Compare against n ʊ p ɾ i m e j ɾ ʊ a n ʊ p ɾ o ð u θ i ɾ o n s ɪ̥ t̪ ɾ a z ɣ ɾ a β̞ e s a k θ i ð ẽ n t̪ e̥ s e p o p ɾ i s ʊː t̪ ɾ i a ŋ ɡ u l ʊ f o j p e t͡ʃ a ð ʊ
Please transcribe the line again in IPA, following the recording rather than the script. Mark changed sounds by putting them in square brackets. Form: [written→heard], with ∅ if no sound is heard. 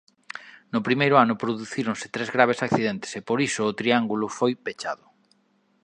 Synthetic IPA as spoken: n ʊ p ɾ i m e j ɾ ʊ a n ʊ p ɾ o ð u θ i ɾ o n s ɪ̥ t̪ ɾ [a→e] z ɣ ɾ a β̞ e s a k θ i ð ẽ n t̪ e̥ s e p o [p→∅] ɾ i s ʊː t̪ ɾ i a ŋ ɡ u l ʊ f o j p e t͡ʃ a ð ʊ

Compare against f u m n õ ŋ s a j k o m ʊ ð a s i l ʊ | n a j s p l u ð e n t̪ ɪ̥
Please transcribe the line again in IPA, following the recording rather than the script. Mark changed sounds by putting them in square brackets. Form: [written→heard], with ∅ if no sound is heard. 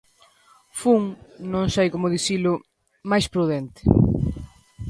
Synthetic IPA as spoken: f u [m→ŋ] n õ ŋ s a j k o m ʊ ð [a→i] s i l ʊ | [n→m] a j s p [l→ɾ] u ð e n t̪ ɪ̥

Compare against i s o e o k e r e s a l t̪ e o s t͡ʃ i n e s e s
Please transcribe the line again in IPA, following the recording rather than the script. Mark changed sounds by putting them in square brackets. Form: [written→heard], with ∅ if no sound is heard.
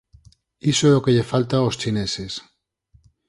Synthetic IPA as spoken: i s o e o k e [r→ʎ] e [s→f] a l t̪ [e→a] o s t͡ʃ i n e s e s

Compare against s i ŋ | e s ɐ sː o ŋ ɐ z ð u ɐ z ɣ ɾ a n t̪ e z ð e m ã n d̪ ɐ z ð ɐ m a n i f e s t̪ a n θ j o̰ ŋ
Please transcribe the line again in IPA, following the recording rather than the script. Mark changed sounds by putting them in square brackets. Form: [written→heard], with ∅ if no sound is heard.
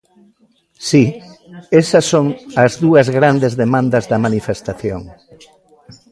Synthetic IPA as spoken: s i [ŋ→∅] | e s ɐ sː o ŋ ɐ z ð u ɐ z ɣ ɾ a n [t̪→d̪] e z ð e m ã n d̪ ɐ z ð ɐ m a n i f e s t̪ a [n→∅] θ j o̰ ŋ

